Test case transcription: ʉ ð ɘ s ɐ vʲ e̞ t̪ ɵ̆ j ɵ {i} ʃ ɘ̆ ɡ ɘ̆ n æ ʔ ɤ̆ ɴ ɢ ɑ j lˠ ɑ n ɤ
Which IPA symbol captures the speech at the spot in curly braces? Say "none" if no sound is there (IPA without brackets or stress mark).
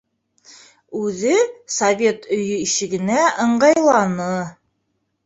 i